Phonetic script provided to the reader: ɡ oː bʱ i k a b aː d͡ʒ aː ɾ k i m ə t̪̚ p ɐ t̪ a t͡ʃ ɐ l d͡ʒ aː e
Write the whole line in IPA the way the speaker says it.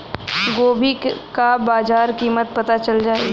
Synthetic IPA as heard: ɡ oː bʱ i k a b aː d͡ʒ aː ɾ k iː m ə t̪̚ p ɐ t̪ a t͡ʃ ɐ l d͡ʒ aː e